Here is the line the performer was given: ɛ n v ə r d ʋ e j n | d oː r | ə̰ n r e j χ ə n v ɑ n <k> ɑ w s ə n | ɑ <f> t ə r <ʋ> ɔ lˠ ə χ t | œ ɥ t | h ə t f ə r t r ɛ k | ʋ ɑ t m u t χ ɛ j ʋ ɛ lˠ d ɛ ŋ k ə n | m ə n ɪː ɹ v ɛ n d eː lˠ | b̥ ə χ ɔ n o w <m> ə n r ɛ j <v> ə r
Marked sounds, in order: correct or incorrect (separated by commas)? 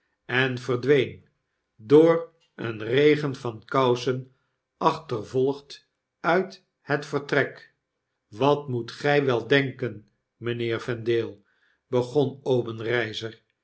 correct, incorrect, incorrect, incorrect, incorrect